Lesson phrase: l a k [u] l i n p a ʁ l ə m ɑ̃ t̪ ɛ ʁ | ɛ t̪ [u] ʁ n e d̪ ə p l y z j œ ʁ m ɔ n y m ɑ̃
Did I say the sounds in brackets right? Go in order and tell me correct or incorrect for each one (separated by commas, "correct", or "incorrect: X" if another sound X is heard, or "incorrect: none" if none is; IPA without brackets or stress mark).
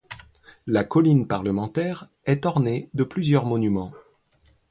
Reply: incorrect: ɔ, incorrect: ɔ